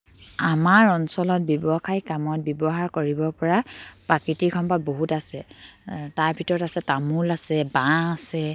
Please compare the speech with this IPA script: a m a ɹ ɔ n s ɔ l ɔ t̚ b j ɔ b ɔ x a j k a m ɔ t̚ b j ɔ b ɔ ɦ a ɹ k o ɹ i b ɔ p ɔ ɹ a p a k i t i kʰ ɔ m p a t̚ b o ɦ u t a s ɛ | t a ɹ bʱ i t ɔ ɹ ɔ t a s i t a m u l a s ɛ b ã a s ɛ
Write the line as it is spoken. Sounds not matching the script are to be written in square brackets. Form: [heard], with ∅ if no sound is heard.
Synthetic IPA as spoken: a m a ɹ ɔ n s ɔ l ɔ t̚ b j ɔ b ɔ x a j k a m ɔ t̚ b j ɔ b ɔ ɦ a ɹ k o ɹ i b ɔ p ɔ ɹ a p a k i t i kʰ ɔ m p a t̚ b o ɦ u t a s ɛ | t a ɹ bʱ i t ɔ ɹ ɔ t a s [ɛ] t a m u l a s ɛ b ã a s ɛ